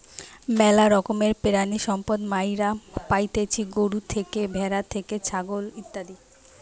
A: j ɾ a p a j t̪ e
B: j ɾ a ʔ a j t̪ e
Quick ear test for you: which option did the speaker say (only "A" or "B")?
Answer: A